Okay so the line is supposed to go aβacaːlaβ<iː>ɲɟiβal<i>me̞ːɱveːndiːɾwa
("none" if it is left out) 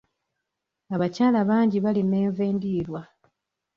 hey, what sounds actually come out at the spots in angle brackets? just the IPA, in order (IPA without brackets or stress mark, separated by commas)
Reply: aː, i